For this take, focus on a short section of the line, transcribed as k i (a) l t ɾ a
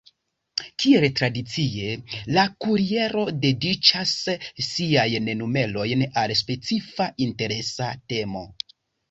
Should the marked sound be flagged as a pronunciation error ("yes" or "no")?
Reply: yes